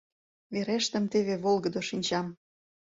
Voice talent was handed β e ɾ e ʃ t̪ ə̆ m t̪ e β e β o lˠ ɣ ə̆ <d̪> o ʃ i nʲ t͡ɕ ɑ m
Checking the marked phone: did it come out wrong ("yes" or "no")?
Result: no